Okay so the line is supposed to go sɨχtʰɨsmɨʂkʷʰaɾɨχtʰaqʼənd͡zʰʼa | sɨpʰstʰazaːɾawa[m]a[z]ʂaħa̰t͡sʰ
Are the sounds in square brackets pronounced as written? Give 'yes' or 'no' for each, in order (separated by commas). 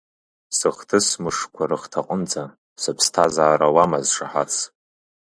yes, yes